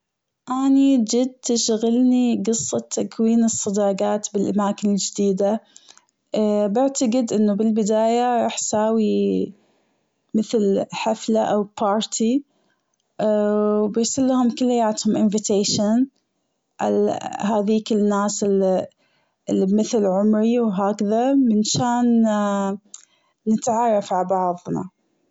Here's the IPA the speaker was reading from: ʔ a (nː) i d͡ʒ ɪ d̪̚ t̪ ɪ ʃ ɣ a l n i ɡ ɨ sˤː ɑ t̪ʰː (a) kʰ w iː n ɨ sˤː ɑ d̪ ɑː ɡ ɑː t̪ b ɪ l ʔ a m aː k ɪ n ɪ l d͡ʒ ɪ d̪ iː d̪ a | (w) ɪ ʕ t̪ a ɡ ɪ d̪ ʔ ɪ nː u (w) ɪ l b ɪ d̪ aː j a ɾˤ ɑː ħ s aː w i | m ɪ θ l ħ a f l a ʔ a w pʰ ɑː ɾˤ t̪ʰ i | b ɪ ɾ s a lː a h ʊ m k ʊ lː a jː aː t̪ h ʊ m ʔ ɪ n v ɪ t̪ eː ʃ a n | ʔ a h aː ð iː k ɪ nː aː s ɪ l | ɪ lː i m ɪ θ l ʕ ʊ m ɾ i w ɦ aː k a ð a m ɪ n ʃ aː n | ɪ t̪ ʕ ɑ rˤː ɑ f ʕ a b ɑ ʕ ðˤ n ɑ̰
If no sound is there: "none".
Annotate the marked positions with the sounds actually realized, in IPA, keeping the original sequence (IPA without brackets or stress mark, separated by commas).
n, a, b, b